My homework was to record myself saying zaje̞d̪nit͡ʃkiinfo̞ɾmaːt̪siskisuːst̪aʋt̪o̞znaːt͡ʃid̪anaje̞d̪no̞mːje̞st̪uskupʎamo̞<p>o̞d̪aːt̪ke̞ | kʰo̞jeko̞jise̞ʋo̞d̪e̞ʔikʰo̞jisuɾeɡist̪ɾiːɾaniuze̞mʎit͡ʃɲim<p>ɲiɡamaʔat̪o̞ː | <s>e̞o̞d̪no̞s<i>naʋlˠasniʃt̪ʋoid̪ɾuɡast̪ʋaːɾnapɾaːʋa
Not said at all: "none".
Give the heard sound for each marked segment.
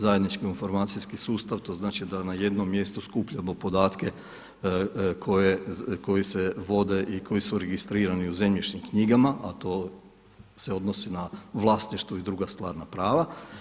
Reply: p, k, s, i

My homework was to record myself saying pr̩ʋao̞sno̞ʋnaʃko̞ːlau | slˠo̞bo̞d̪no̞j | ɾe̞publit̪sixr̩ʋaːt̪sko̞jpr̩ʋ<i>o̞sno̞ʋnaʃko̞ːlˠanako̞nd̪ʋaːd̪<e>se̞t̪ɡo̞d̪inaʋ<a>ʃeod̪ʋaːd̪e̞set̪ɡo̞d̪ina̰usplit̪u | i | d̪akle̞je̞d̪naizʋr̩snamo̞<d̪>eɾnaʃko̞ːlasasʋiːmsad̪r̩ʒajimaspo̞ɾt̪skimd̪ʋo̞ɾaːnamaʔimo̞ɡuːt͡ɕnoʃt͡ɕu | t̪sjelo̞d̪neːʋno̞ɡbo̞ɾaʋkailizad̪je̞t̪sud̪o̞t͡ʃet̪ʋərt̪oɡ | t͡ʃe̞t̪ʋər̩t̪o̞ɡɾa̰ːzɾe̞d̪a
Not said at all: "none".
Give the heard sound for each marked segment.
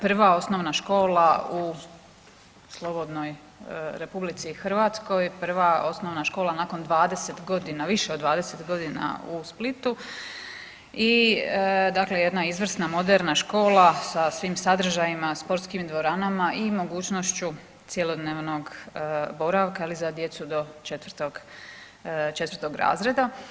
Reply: a, e, i, d̪

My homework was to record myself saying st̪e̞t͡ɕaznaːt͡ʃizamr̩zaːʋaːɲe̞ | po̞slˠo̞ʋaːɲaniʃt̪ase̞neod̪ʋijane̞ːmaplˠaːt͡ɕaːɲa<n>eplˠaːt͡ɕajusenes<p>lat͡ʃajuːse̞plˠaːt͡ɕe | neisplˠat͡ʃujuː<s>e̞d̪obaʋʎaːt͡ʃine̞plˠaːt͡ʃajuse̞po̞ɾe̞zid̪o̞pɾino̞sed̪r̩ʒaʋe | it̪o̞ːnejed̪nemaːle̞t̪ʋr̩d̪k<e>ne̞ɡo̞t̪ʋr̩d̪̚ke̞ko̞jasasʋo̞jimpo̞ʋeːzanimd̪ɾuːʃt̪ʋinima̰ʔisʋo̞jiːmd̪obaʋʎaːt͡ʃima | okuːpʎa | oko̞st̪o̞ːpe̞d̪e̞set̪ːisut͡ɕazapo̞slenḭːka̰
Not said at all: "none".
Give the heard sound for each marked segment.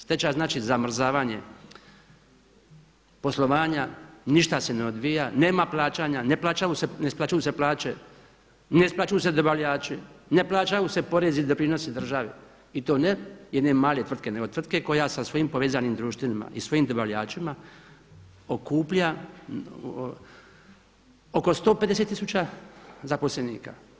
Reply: n, p, s, e

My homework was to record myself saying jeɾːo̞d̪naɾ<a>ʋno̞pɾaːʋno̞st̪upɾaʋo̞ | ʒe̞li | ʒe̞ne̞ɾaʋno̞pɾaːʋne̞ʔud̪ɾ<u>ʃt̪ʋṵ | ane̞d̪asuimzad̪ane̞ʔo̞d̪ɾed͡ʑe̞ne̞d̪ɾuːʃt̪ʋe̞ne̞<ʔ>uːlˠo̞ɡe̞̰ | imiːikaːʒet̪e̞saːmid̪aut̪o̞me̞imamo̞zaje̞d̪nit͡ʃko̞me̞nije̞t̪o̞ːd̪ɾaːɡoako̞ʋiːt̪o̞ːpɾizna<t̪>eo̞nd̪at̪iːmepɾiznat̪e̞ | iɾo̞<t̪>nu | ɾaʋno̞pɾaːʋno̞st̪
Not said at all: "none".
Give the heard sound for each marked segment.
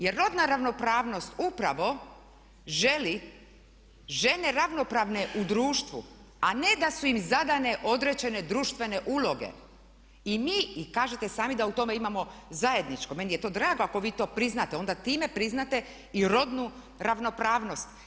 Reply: a, uː, ʔ, t̪, d̪

